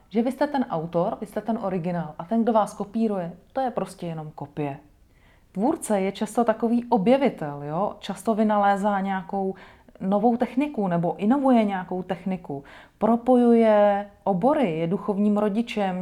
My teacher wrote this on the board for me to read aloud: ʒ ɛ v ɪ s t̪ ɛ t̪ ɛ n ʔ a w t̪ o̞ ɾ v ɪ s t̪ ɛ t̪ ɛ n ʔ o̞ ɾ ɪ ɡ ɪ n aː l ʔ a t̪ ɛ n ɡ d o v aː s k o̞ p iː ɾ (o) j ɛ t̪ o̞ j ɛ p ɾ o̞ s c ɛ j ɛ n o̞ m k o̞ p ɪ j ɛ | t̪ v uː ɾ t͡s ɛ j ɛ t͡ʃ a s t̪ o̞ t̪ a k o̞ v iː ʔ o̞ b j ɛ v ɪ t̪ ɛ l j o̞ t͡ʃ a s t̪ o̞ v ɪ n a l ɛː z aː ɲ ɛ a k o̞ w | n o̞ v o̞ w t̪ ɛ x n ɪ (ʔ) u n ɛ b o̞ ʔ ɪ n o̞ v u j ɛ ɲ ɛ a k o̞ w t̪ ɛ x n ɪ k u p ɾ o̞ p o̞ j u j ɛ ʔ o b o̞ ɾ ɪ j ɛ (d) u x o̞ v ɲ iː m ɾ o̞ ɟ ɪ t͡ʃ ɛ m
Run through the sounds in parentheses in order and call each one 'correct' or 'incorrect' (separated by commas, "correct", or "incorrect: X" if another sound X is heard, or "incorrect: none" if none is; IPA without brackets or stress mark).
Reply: incorrect: u, incorrect: k, correct